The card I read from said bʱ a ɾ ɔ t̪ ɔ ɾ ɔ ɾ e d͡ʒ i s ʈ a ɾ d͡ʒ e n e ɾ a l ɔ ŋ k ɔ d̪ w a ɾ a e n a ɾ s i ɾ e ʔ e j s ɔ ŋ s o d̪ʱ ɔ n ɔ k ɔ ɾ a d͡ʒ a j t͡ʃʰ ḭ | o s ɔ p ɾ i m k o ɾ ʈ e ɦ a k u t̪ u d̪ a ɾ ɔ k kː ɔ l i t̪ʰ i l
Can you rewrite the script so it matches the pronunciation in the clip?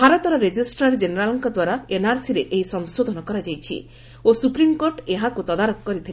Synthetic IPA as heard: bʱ a ɾ ɔ t̪ ɔ ɾ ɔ ɾ e d͡ʒ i s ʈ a ɾ d͡ʒ e n e ɾ a l ɔ ŋ k ɔ d̪ w a ɾ a e n a ɾ s i ɾ e ʔ e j s ɔ ŋ s o d̪ʱ ɔ n ɔ k ɔ ɾ a d͡ʒ a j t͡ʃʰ ḭ | o s u p ɾ i m k o ɾ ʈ e ɦ a k u t̪ ɔ d̪ a ɾ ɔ k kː ɔ ɾ i t̪ʰ i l